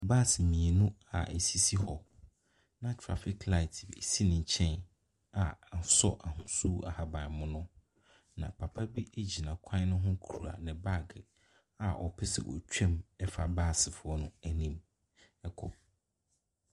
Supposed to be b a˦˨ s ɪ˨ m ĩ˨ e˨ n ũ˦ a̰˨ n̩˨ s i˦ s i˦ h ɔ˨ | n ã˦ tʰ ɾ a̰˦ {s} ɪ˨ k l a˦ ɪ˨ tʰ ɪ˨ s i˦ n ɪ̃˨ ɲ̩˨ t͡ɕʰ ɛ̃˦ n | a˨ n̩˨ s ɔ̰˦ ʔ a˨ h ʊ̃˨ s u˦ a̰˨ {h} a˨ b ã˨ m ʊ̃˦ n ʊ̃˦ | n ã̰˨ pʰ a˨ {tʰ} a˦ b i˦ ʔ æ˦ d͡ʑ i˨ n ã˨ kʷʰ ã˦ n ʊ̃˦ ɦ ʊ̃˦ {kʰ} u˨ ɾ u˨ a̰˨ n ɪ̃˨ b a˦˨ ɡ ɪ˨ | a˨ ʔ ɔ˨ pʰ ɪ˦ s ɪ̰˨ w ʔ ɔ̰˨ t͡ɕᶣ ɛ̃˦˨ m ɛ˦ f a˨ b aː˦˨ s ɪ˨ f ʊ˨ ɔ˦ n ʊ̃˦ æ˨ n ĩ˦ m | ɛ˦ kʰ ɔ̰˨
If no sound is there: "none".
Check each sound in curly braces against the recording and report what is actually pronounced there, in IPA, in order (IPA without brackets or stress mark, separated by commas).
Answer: f, h, pʰ, kʰ